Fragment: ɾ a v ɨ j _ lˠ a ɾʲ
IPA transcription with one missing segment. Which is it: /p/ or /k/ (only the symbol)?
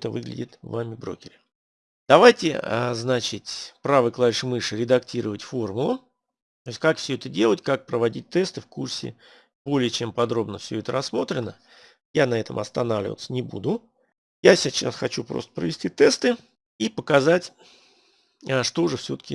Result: k